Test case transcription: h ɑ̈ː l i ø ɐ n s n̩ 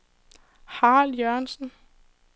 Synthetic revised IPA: h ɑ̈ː l j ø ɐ n s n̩